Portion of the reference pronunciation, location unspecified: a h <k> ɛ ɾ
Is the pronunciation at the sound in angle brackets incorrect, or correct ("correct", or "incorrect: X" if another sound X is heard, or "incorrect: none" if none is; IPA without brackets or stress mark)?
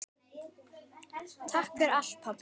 correct